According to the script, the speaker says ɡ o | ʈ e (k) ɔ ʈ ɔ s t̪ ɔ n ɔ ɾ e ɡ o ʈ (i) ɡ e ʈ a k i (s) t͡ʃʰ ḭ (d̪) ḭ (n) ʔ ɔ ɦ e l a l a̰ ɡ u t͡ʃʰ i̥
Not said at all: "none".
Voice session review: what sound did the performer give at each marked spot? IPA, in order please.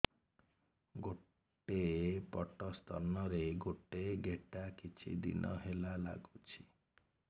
p, e, none, d̪, n

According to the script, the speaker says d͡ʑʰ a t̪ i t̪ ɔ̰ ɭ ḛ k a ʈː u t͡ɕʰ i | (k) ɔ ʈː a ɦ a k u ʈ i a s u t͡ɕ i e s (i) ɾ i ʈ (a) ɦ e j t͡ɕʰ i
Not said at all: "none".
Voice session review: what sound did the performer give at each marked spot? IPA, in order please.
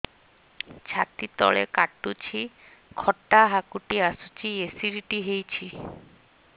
kʰ, i, i

